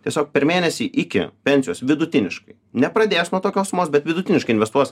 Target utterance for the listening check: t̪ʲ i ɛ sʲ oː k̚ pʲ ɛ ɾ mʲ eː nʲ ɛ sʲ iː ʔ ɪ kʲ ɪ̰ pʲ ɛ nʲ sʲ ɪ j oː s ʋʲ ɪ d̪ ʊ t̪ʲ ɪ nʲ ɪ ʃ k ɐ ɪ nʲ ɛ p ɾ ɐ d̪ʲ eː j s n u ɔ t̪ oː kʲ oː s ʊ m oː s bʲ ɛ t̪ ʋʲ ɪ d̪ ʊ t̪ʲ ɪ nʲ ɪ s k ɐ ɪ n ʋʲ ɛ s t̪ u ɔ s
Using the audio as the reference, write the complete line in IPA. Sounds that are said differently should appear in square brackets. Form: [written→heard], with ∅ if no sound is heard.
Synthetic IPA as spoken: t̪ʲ i ɛ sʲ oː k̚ pʲ ɛ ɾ mʲ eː nʲ ɛ sʲ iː ʔ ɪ kʲ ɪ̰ pʲ ɛ nʲ sʲ ɪ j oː s ʋʲ ɪ d̪ ʊ t̪ʲ ɪ nʲ ɪ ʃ k ɐ ɪ nʲ ɛ p ɾ ɐ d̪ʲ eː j s n u ɔ t̪ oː kʲ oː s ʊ m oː s bʲ ɛ t̪ ʋʲ ɪ d̪ ʊ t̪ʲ ɪ nʲ ɪ [s→ʃ] k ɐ ɪ n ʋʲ ɛ s t̪ u ɔ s